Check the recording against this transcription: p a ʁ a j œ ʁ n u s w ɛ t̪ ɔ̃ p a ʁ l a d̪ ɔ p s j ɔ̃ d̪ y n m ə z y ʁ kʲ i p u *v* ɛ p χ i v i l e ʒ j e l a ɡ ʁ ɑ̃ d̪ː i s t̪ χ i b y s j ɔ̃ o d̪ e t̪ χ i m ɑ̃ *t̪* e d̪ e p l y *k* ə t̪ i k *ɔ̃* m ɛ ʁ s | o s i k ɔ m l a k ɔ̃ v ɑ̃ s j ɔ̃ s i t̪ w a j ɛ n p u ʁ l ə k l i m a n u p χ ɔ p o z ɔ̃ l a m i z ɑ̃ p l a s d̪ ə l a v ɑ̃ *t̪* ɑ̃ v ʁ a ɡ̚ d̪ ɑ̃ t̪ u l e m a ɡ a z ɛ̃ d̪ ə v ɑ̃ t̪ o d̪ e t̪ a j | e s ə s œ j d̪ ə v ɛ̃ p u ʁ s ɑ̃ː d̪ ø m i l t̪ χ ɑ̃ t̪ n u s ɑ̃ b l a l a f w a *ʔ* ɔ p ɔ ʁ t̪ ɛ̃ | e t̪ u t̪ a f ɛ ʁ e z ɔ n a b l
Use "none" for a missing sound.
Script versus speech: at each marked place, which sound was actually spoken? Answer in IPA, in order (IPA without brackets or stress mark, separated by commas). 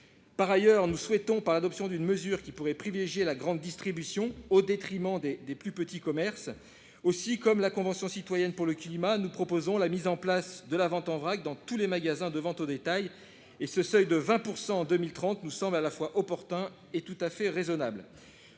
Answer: ʁ, d̪, p, ɔ, t̪, ʔ